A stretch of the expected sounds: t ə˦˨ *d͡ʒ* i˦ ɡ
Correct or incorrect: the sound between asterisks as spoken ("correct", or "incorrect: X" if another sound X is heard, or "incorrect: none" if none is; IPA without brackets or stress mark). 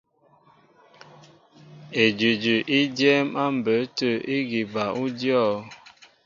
incorrect: none